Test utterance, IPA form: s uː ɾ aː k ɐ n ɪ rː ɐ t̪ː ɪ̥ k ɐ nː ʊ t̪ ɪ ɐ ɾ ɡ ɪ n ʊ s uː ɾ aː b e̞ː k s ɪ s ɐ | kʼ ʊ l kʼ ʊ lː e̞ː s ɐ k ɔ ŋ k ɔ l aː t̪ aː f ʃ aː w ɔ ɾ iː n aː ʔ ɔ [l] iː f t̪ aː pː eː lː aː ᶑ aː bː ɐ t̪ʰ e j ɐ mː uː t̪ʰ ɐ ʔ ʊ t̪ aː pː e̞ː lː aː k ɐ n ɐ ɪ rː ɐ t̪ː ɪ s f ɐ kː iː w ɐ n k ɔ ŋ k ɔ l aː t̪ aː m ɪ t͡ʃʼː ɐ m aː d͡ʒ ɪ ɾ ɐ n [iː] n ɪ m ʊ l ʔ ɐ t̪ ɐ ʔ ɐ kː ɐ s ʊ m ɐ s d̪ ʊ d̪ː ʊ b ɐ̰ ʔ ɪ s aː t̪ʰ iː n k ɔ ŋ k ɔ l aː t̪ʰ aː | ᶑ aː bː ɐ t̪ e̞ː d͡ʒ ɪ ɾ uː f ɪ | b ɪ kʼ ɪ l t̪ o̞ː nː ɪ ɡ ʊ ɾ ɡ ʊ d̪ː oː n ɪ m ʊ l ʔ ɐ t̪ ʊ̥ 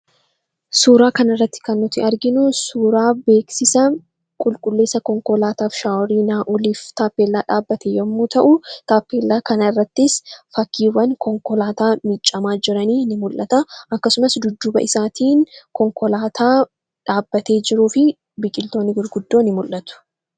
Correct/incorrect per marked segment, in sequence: correct, correct

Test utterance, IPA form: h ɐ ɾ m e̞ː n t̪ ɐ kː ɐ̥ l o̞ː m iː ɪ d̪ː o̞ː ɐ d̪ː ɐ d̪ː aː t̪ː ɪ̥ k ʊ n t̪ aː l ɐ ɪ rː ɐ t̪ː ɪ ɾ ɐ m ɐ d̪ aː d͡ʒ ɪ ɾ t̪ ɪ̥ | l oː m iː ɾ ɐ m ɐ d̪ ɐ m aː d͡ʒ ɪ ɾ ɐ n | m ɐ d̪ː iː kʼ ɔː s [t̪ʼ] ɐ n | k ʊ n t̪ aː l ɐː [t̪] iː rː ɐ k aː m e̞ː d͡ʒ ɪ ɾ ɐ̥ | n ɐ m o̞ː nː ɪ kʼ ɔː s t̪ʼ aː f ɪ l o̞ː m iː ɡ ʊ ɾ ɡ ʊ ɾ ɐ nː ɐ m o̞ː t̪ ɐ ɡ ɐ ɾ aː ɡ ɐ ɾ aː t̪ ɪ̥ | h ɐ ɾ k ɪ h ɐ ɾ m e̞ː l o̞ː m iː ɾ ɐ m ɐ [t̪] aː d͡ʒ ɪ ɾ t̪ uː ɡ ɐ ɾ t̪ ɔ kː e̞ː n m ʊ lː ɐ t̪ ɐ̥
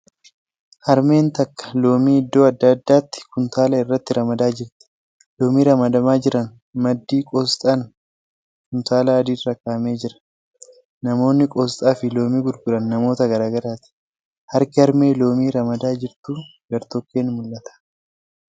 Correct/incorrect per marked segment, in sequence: correct, incorrect: d̪, incorrect: d̪

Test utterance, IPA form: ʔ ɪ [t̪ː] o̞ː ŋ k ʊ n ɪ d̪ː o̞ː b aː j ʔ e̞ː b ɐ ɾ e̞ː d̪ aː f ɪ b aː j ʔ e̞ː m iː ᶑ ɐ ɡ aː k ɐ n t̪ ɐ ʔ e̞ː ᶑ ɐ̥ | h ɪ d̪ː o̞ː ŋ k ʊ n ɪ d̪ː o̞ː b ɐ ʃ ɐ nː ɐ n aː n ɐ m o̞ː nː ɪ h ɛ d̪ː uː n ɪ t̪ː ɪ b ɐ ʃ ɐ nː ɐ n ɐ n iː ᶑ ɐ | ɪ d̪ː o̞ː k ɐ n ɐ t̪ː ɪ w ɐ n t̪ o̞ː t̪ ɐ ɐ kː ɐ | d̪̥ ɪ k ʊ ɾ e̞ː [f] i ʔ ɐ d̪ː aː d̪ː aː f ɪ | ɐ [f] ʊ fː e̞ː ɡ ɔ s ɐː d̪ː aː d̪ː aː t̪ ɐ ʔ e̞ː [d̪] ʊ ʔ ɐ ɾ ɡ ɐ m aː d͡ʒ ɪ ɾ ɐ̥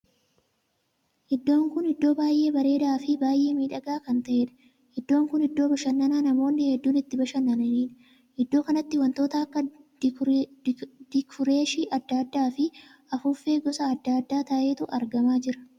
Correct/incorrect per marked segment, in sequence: incorrect: d̪ː, incorrect: ʃ, correct, incorrect: t̪

